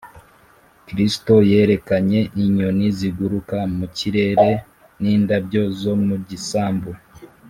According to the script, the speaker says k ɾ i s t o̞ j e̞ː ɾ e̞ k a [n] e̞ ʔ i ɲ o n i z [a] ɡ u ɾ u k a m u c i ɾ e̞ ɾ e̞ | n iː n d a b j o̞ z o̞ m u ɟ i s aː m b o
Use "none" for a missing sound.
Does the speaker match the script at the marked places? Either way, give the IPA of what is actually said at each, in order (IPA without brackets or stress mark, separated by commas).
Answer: ɲ, i